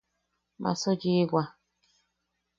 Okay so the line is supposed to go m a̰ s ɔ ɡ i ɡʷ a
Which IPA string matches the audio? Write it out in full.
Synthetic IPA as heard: m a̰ s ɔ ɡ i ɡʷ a

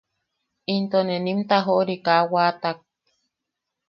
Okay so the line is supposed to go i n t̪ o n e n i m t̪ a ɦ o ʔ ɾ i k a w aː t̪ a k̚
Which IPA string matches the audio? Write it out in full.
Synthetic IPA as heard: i n t̪ o n e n i m t̪ a ɦ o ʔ ɾ i k a w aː t̪ a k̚

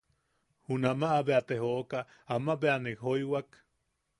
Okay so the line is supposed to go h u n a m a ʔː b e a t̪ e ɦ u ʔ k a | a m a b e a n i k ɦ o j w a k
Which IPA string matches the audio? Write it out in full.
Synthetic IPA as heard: h u n a m a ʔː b e a t̪ e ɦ o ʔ k a | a m a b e a n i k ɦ o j w a k

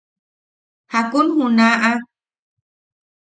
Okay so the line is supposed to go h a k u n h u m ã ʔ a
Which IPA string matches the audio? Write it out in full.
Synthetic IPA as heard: h a k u n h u n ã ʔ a

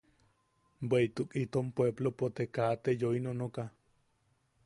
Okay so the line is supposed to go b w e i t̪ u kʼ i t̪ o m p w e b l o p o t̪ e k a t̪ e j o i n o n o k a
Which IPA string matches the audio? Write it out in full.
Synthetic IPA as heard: b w e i t̪ u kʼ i t̪ o m p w e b l o p o t̪ e k a t̪ e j o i n o n o k a

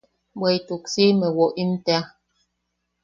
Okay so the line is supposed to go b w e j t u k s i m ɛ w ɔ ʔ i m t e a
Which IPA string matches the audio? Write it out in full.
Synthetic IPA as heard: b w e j t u k s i m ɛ w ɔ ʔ i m t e a

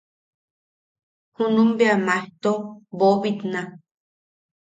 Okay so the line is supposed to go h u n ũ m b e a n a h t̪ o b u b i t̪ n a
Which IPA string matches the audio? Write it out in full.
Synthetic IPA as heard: h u n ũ m b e a m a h t̪ o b o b i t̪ n a

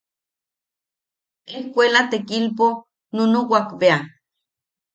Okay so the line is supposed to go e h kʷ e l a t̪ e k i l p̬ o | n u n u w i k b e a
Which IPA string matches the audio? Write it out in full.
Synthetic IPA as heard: e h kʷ e l a t̪ e k i l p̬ o | n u n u w a k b e a

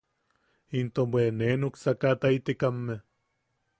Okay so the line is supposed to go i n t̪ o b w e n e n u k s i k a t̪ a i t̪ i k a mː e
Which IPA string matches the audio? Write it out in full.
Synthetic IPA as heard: i n t̪ o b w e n e n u k s a k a t̪ a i t̪ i k a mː e

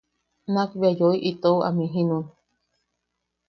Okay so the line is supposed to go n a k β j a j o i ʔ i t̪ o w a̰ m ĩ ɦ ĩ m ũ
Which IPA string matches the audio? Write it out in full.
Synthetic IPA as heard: n a k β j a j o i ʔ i t̪ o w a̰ m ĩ ɦ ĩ n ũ

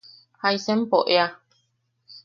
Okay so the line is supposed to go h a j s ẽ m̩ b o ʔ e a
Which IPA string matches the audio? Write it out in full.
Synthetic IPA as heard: h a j s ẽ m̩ p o ʔ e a

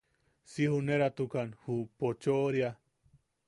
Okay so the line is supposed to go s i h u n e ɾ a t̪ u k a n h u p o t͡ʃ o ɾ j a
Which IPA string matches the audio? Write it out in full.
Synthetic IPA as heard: s i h u n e ɾ a t̪ u k a n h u p o t͡ʃ o ɾ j a

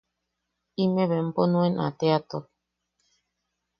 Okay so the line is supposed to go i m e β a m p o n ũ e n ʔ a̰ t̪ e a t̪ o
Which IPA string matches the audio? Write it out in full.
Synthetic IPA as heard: i m e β e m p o n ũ e n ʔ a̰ t̪ e a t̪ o

